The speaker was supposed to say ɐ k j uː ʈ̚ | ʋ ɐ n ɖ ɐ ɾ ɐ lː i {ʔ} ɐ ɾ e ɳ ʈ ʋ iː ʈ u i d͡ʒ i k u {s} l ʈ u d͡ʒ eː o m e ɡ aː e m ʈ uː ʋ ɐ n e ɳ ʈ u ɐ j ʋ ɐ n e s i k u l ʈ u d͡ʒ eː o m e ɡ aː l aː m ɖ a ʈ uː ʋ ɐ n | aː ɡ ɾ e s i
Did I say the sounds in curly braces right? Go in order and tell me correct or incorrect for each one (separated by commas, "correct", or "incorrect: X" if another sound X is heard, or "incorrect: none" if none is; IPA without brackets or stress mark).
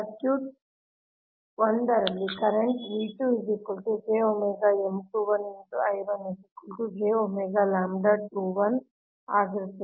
incorrect: k, incorrect: none